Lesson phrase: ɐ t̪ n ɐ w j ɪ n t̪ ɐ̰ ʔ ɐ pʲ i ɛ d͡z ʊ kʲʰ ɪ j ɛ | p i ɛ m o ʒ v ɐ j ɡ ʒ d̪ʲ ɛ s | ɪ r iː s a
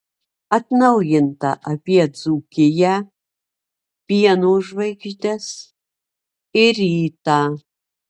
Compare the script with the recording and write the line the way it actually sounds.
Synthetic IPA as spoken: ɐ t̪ n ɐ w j ɪ n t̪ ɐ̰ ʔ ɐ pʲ i ɛ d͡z u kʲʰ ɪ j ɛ | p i ɛ n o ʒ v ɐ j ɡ ʒ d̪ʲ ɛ s | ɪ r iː t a